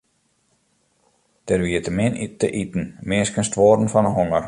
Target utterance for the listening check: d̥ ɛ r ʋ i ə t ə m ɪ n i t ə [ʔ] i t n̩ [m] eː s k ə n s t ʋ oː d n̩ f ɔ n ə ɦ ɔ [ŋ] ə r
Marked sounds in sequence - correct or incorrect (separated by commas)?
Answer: correct, correct, correct